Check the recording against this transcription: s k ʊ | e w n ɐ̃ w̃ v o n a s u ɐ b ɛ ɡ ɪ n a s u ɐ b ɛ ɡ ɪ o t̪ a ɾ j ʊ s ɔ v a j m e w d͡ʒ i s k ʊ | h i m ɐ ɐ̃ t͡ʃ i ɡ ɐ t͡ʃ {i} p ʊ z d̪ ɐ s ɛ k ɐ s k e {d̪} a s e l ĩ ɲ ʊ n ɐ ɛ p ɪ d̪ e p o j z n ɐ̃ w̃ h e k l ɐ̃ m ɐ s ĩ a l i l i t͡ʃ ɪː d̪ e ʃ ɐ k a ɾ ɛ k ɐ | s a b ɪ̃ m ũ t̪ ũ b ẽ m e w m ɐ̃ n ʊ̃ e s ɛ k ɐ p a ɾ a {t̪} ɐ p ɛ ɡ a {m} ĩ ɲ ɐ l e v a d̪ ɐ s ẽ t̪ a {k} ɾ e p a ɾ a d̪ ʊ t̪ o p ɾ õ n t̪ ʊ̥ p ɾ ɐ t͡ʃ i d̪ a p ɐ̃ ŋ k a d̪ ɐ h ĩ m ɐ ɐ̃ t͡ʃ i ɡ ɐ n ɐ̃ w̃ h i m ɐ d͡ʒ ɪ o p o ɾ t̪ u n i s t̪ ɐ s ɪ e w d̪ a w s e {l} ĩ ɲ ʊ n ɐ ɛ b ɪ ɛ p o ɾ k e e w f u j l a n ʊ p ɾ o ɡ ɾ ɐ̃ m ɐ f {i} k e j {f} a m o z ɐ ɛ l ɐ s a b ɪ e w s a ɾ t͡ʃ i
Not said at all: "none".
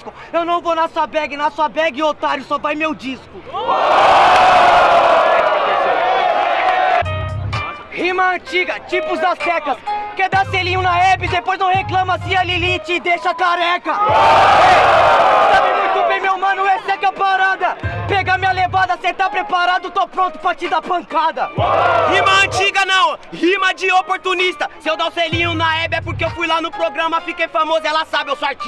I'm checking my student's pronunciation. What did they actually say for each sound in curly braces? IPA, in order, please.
i, d̪, d̪, m, p, l, i, f

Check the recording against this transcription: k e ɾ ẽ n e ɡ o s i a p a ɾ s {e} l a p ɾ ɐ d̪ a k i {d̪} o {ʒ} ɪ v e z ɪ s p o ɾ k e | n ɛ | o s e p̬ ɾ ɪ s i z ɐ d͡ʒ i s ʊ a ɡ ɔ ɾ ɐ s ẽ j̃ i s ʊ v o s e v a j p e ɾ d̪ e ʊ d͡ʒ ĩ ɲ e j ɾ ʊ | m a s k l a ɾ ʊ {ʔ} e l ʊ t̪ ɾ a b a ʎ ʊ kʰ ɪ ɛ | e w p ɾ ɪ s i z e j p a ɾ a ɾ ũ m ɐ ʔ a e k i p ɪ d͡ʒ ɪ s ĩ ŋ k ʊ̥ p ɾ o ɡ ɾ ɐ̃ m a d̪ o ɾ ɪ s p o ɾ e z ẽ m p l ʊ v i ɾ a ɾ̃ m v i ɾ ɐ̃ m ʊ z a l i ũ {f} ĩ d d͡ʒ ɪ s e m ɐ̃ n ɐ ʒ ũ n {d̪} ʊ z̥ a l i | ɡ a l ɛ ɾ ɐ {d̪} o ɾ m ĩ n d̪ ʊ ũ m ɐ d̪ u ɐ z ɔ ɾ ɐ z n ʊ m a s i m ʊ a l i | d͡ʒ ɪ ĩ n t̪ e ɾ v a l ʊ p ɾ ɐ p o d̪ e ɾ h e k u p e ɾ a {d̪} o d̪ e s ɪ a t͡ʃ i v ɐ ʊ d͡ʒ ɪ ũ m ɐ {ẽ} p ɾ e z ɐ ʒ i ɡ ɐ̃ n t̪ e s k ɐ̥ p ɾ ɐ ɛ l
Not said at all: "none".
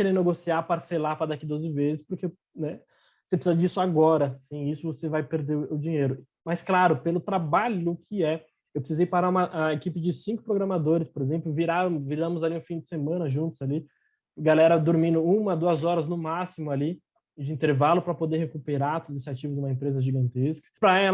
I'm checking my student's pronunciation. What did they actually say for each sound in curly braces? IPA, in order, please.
e, d̪, z, p, f, t̪, d̪, t̪, ẽ

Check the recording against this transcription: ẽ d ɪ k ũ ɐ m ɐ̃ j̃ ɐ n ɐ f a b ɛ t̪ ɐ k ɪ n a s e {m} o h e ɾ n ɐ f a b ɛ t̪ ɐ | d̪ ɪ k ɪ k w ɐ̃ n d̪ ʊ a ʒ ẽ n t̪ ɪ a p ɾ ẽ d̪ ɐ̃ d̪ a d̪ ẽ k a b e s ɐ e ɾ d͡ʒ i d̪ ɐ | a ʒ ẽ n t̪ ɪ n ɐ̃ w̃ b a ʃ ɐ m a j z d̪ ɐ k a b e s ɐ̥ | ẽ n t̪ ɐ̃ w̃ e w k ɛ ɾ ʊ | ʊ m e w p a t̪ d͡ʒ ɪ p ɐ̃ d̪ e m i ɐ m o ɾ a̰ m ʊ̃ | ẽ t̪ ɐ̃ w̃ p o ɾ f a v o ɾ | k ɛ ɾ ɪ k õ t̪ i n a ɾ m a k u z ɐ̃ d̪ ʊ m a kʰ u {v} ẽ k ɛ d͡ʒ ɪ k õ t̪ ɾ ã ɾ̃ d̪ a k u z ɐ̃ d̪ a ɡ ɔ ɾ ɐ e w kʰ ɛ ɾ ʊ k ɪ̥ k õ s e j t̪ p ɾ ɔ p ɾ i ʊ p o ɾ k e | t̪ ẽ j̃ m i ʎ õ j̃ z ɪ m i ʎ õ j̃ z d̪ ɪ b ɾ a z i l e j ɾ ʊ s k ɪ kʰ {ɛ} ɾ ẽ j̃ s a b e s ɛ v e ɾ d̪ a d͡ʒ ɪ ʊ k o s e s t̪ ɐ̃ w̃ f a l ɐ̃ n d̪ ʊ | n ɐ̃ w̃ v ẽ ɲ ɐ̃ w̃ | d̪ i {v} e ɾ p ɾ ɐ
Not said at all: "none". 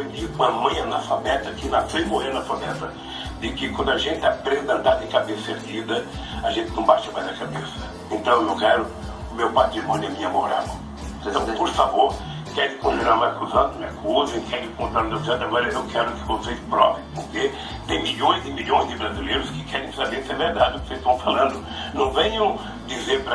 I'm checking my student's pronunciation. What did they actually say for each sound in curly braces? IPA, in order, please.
m, z, ɛ, z

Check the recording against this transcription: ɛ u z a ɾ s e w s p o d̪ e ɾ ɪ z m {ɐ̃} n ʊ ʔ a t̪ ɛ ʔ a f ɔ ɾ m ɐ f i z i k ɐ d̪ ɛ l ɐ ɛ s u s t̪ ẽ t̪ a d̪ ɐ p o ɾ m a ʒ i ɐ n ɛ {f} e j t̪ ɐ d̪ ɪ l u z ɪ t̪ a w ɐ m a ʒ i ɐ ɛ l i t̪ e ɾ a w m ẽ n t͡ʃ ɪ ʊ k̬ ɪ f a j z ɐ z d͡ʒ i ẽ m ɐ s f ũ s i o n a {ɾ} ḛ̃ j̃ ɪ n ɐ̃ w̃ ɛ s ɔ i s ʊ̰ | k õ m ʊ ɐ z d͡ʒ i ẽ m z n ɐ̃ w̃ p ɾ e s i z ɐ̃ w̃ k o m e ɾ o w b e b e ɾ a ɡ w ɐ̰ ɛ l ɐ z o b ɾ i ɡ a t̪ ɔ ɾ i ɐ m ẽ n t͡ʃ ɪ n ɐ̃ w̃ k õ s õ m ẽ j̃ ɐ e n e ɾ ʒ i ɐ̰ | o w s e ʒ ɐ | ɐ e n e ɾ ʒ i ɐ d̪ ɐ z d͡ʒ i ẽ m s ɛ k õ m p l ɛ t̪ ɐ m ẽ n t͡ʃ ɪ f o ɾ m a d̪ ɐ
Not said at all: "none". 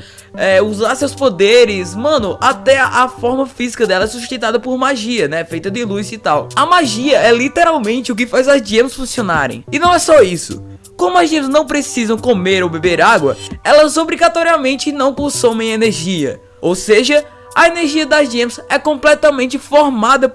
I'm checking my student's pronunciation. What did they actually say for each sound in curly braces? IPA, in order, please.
ɐ̃, f, ɾ

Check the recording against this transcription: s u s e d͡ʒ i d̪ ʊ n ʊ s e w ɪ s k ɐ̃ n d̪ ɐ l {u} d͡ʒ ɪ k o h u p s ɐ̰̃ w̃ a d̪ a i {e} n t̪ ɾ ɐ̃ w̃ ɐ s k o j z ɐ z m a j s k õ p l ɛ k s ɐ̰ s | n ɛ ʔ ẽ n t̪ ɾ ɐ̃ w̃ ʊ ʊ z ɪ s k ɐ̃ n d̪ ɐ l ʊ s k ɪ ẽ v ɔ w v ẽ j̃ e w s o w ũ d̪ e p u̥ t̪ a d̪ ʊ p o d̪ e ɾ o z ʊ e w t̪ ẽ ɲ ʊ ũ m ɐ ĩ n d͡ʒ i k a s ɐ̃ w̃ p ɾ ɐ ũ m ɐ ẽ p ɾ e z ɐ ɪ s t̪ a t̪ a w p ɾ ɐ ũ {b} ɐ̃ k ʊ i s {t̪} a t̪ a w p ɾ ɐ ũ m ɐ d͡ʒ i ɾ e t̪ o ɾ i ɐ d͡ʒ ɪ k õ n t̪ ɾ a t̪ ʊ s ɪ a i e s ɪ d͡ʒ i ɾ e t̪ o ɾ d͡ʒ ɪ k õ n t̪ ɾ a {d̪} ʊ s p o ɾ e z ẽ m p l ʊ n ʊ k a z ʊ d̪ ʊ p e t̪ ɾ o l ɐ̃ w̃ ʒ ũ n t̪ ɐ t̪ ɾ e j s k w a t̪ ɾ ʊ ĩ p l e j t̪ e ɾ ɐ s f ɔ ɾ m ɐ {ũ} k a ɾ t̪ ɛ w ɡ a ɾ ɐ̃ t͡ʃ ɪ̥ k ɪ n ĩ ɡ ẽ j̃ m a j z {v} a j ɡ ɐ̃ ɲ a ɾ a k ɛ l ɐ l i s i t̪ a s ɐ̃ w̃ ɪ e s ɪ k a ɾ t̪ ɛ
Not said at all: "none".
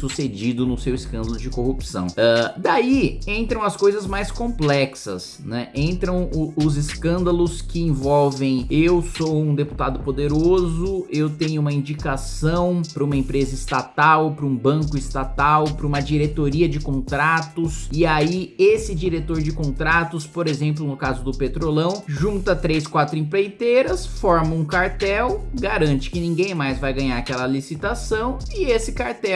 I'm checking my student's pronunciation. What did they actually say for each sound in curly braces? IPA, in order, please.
ʊ, ẽ, b, t̪, t̪, ũ, v

